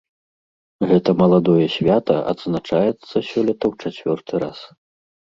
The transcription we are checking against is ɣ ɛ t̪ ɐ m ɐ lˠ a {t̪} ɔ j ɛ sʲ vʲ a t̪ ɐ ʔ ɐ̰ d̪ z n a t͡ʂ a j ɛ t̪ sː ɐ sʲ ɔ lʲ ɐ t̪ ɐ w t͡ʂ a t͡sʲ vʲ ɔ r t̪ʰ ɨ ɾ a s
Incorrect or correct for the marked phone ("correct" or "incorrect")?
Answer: incorrect